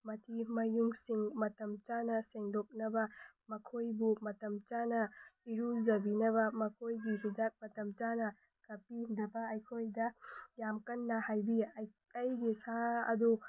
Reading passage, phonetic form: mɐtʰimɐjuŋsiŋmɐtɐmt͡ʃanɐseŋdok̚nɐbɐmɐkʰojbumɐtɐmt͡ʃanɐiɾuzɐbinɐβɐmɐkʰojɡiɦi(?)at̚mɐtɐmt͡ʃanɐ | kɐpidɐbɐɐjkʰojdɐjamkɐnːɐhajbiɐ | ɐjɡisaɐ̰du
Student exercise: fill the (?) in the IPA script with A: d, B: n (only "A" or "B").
A